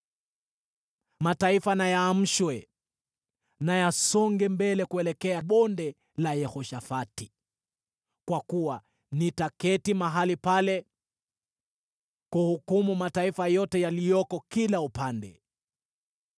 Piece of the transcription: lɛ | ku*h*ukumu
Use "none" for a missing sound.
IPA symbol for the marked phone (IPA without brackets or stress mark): h